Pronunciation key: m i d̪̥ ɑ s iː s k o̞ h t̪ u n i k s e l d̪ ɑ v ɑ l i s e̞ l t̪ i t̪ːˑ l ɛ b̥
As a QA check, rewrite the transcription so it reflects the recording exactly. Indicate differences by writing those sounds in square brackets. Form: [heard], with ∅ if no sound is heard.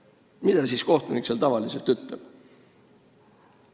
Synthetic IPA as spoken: m i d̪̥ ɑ s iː s k o̞ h t̪ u n i k s e l [t̪] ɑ v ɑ l i s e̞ l t̪ [y] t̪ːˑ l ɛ b̥